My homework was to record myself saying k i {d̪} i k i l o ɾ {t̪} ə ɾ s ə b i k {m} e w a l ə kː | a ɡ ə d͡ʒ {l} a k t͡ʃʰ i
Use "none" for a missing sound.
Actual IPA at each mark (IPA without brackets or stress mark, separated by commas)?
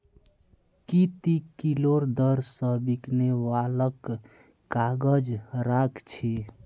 t̪, d̪, n, ɾ